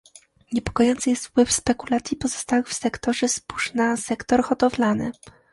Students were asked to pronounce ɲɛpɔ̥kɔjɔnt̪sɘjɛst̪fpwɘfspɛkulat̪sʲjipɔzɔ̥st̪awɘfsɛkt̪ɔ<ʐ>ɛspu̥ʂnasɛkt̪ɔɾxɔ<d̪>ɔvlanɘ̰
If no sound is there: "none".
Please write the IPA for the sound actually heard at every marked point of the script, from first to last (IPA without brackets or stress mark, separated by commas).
ʐ, t̪